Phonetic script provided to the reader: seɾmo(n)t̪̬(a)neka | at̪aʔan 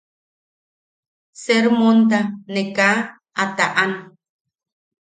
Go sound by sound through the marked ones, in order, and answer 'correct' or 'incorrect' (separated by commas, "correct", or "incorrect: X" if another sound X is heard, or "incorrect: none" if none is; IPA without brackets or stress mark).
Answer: correct, correct